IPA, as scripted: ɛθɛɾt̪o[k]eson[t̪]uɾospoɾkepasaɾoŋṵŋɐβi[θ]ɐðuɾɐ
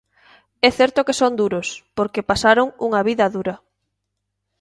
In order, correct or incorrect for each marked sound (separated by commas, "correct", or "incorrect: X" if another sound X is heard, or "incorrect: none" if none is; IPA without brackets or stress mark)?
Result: correct, incorrect: d̪, incorrect: ð